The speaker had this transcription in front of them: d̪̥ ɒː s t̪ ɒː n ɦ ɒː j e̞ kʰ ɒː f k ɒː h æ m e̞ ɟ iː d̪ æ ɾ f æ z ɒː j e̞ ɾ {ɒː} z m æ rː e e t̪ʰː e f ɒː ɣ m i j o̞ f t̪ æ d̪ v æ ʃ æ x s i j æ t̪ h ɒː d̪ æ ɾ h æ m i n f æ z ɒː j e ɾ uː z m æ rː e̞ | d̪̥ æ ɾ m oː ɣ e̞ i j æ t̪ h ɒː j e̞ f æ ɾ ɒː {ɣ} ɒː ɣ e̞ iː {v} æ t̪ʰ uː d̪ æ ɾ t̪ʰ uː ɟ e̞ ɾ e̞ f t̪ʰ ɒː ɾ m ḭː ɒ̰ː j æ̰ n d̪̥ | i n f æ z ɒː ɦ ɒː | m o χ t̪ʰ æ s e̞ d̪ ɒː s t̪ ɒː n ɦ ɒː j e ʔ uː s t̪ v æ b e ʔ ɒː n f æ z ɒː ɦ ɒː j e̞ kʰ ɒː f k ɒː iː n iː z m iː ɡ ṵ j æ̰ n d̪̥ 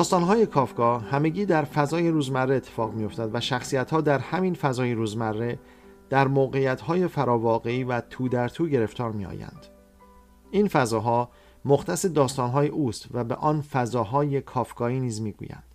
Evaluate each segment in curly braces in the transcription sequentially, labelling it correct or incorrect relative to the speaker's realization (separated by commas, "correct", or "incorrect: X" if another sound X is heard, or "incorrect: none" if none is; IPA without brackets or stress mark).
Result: incorrect: uː, incorrect: v, correct